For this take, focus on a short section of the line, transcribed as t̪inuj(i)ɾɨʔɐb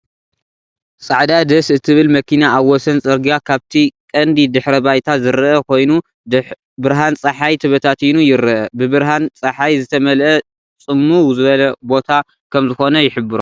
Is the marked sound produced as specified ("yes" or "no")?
no